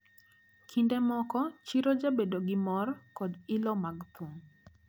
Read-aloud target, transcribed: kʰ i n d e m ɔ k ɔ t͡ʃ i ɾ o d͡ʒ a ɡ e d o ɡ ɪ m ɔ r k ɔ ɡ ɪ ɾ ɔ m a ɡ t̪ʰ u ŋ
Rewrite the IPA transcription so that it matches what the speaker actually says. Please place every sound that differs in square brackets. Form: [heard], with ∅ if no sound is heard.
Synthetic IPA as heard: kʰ i n d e m ɔ k ɔ t͡ʃ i ɾ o d͡ʒ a [b] e d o ɡ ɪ m ɔ r k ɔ [d] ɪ [l] ɔ m a ɡ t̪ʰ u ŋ